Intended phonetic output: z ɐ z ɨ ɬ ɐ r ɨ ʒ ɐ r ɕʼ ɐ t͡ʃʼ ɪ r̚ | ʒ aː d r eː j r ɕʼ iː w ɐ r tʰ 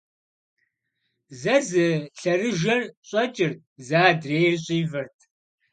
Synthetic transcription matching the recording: z ɐ z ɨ ɬ ɐ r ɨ ʒ ɐ r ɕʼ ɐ t͡ʃʼ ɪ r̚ | z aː d r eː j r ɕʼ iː v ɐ r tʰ